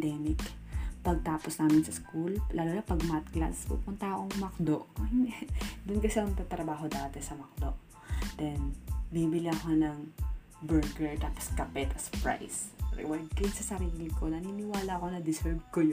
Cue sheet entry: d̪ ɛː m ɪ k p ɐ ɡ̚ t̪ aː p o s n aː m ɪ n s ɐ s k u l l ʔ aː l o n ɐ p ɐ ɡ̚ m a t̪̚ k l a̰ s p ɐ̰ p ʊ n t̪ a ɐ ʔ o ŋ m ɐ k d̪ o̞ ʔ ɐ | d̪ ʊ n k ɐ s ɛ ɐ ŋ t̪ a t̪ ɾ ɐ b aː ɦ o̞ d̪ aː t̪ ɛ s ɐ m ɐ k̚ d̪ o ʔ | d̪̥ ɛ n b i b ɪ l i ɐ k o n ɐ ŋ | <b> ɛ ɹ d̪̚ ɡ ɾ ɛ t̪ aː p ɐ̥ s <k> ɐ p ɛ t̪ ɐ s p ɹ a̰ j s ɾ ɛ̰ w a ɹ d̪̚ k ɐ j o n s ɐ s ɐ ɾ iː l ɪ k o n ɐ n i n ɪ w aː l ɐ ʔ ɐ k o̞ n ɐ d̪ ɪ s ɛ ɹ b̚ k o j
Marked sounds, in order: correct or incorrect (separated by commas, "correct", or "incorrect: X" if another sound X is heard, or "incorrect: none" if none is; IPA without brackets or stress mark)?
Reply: correct, correct